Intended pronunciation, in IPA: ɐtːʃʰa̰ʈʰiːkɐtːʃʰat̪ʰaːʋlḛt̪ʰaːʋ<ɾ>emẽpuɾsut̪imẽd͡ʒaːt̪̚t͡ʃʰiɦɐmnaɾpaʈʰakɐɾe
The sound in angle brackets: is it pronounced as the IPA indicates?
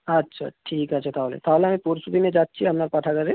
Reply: no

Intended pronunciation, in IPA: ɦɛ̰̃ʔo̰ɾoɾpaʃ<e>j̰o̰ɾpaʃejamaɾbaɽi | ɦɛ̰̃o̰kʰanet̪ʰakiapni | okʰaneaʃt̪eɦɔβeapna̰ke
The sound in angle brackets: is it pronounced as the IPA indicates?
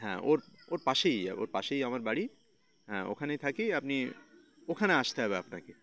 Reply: yes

